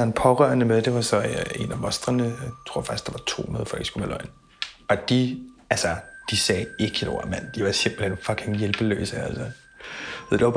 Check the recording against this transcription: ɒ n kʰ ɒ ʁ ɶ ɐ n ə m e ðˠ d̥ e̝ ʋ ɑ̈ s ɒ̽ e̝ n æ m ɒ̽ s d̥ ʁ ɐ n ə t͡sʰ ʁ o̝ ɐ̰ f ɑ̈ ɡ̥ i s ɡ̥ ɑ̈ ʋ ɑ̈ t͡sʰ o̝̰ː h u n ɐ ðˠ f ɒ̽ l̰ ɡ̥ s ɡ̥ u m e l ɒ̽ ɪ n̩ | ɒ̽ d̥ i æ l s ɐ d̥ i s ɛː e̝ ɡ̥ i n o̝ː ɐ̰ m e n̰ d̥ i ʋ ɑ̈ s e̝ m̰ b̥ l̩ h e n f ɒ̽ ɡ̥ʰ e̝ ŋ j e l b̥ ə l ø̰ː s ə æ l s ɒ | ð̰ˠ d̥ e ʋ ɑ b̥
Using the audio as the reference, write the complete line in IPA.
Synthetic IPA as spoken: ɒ n pʰ ɒ ʁ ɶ ɐ n ə m e ðˠ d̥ e̝ ʋ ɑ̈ s ɒ̽ e̝ n æ m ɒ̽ s d̥ ʁ ɐ n ə t͡sʰ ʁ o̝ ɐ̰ f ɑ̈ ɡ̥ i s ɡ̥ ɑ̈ ʋ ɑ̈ t͡sʰ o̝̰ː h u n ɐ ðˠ f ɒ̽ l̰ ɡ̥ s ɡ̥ u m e l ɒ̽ ɪ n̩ | ɒ̽ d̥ i æ l s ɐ d̥ i s ɛː e̝ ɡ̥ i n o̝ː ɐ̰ m æ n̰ d̥ i ʋ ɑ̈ s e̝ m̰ b̥ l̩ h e n f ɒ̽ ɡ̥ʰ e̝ ŋ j e l b̥ ə l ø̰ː s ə æ l s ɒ | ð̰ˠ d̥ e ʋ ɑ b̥